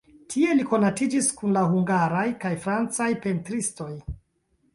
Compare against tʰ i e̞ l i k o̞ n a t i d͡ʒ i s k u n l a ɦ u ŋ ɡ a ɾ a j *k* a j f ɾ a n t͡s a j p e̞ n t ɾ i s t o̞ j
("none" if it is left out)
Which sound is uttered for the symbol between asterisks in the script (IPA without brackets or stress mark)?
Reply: k